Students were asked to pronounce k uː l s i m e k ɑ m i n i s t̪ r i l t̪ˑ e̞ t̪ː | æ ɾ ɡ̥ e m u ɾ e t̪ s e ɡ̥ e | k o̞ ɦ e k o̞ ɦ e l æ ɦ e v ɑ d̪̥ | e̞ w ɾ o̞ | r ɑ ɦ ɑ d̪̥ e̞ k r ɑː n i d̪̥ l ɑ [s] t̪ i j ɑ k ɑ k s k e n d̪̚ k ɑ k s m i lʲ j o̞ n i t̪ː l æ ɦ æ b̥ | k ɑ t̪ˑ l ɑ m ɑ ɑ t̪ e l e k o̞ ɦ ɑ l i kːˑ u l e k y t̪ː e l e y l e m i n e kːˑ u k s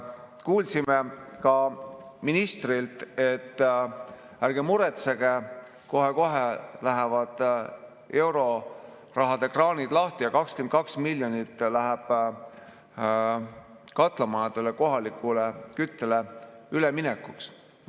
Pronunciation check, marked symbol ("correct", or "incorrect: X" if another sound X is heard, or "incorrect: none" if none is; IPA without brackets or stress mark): incorrect: h